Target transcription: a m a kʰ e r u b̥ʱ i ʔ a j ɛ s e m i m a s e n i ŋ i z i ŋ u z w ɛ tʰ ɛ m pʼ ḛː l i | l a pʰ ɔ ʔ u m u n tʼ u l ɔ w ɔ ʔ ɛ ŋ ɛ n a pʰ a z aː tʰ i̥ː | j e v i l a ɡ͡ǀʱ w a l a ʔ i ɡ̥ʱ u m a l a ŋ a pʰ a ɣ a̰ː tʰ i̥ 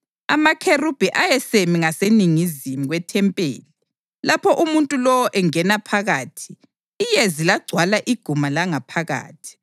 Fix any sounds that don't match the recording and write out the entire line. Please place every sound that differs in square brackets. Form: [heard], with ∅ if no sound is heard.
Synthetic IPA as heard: a m a kʰ e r u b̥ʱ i ʔ a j ɛ s e m i [ŋ] a s e n i ŋ i z i [m] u [ɣ] w ɛ tʰ ɛ m pʼ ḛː l i | l a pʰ ɔ ʔ u m u n tʼ u l ɔ w ɔ ʔ ɛ ŋ ɛ n a pʰ a [ɣ] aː tʰ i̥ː | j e [z] i l a ɡ͡ǀʱ w a l a ʔ i ɡ̥ʱ u m a l a ŋ a pʰ a ɣ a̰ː tʰ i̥